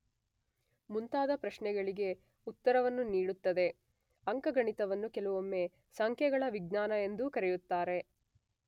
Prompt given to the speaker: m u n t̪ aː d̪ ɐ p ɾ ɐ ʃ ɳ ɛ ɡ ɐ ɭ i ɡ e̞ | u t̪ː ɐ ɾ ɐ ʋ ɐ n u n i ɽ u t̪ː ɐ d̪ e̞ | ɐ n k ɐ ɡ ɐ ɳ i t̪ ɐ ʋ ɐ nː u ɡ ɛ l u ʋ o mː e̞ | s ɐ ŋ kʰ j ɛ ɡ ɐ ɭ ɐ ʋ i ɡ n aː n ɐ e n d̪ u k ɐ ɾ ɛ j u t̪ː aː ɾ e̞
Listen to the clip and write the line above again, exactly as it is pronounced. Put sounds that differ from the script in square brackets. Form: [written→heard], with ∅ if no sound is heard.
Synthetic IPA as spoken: m u n t̪ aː d̪ ɐ p ɾ ɐ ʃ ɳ ɛ ɡ ɐ ɭ i ɡ e̞ | u t̪ː ɐ ɾ ɐ ʋ ɐ [n→nː] u n [i→iː] ɽ u t̪ː ɐ d̪ e̞ | ɐ [n→ŋ] k ɐ ɡ ɐ ɳ i t̪ ɐ ʋ ɐ nː u [ɡ→k] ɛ l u ʋ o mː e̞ | s ɐ ŋ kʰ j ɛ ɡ ɐ ɭ ɐ ʋ i ɡ n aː n ɐ e n d̪ u k ɐ ɾ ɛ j u t̪ː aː ɾ e̞